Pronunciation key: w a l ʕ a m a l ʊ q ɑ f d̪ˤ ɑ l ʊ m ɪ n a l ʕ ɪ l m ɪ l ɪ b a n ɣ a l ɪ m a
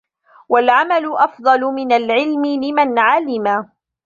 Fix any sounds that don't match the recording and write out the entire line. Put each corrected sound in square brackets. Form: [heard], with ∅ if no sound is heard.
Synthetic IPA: w a l ʕ a m a l ʊ [ʔ] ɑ f d̪ˤ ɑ l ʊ m ɪ n a l ʕ ɪ l m ɪ l ɪ [m] a n [ʕ] a l ɪ m a